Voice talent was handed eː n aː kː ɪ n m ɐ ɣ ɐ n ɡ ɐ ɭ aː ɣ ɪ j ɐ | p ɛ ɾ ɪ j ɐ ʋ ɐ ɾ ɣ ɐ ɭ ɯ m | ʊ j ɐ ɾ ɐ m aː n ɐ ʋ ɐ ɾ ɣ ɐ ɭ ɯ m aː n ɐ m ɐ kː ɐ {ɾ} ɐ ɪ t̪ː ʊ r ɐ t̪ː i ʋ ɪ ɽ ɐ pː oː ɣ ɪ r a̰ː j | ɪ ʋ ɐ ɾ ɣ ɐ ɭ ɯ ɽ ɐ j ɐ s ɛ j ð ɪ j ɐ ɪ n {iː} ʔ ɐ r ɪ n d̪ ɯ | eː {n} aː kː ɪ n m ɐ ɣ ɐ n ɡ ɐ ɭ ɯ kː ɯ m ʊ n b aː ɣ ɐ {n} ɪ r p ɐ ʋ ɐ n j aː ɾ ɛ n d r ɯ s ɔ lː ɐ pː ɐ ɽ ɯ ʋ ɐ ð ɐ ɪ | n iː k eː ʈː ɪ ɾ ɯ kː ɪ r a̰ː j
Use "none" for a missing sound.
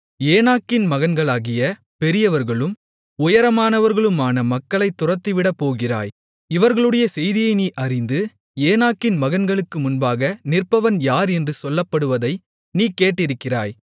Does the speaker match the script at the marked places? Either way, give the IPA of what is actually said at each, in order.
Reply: ɭ, iː, n, n

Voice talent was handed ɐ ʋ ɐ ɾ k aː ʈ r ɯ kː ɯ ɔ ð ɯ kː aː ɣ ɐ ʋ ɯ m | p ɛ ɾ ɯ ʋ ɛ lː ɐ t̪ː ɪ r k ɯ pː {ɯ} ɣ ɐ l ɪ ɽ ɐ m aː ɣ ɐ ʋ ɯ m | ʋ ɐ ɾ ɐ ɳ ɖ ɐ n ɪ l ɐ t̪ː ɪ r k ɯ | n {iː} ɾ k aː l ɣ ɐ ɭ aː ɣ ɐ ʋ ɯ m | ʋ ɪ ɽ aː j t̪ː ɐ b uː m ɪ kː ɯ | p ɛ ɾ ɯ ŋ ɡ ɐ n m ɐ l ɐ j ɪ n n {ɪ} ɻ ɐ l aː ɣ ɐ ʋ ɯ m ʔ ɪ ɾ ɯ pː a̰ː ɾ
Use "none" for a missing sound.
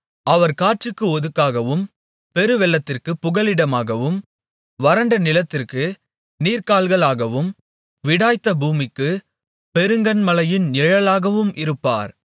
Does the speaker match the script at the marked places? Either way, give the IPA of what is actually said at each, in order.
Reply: ʊ, iː, ɪ

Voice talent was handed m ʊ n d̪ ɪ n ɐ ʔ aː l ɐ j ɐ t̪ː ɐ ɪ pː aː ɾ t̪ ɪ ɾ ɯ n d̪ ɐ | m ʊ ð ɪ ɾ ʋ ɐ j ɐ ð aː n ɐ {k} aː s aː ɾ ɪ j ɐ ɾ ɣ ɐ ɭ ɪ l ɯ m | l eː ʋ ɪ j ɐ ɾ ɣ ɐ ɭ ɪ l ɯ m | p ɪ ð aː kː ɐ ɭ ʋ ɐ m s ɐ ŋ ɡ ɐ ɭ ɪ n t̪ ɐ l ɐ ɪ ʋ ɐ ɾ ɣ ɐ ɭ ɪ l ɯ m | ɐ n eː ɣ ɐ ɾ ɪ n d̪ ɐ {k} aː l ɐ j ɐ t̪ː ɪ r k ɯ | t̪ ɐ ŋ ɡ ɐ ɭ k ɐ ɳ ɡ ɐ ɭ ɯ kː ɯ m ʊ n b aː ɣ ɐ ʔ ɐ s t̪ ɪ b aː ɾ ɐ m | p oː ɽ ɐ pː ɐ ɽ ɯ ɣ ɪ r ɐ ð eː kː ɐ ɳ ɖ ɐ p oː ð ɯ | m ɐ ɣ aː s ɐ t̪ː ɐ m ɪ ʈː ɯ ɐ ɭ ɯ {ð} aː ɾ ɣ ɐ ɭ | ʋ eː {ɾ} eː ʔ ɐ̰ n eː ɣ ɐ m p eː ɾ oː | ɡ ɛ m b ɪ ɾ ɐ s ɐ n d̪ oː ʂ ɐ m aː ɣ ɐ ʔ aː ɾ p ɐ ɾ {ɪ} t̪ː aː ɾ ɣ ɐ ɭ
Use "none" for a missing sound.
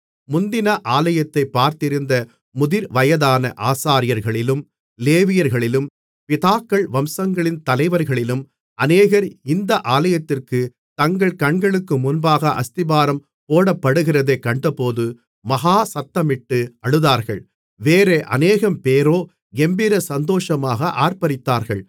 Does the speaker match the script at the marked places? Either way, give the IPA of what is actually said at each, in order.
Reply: ʔ, ʔ, ð, ɾ, ɪ

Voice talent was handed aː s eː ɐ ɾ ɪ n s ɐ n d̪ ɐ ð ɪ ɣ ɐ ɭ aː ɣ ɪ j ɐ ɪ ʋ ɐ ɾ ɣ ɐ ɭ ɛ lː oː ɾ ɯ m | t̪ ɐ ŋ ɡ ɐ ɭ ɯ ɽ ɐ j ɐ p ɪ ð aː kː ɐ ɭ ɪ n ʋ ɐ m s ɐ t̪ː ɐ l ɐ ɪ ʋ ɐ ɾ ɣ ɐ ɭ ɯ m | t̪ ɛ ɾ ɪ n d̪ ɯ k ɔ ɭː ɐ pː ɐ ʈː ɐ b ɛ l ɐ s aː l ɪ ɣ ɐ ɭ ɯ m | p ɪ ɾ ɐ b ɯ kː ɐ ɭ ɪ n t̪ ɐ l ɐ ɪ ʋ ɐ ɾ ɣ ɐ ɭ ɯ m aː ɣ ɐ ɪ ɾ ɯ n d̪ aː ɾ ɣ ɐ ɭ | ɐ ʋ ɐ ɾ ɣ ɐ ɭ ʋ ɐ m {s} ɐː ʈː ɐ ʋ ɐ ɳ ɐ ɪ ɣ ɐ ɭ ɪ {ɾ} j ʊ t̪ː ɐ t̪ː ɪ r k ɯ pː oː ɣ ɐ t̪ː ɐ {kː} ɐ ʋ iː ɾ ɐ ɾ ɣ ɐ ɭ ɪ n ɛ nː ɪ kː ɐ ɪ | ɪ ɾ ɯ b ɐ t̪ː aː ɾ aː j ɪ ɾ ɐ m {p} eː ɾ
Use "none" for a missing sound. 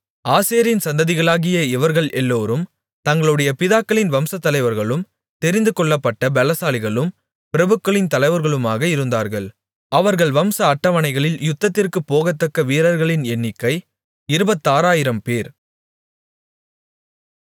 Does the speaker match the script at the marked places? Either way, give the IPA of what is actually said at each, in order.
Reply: s, l, kː, p

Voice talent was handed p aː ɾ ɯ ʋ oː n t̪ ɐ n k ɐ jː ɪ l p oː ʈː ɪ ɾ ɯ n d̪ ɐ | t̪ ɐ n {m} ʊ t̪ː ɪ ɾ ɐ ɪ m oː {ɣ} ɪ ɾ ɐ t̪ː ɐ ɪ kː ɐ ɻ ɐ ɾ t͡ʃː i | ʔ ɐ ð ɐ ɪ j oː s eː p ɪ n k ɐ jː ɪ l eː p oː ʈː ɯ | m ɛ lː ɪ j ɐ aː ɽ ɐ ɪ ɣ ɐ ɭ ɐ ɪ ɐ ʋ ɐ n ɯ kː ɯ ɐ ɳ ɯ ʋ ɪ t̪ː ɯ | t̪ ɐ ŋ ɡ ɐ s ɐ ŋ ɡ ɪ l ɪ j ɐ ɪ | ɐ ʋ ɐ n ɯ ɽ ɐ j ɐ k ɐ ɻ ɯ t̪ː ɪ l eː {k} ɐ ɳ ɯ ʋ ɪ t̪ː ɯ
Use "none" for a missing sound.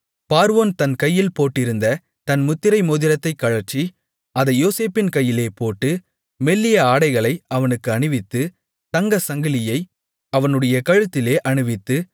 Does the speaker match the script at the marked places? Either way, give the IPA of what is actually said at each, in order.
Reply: m, ð, ʔ

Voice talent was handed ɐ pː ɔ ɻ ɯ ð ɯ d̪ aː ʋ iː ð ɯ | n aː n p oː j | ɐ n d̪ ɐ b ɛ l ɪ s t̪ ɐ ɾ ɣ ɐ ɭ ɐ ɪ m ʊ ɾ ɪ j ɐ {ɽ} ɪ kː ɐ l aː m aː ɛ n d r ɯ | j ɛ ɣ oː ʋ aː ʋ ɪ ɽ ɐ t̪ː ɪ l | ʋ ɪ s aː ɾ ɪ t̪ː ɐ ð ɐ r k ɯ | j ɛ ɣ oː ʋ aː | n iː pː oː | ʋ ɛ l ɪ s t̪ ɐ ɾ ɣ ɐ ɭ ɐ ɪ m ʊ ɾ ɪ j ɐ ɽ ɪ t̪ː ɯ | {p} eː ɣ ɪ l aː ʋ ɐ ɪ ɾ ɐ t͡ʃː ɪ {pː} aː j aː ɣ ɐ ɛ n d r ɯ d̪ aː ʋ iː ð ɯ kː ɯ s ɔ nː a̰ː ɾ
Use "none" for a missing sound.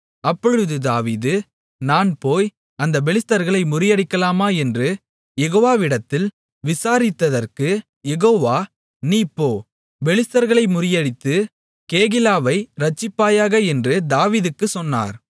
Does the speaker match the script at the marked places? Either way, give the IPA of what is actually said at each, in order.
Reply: ɽ, k, pː

